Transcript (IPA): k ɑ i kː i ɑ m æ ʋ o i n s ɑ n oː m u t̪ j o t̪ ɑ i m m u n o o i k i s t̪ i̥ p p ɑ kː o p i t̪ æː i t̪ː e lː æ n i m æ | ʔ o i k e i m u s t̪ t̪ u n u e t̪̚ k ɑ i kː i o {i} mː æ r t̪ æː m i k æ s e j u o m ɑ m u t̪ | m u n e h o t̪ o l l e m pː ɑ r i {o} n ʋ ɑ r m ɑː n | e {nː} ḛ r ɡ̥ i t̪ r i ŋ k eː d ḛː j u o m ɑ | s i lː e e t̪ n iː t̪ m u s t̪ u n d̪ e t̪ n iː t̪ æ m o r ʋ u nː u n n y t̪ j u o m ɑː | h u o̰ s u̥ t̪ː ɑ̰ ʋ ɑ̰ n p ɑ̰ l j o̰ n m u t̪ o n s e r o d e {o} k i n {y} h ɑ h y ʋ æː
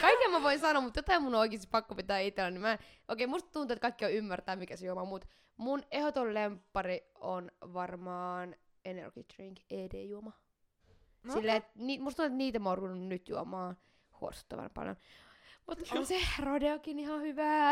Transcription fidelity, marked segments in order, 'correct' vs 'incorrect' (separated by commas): incorrect, correct, incorrect, correct, incorrect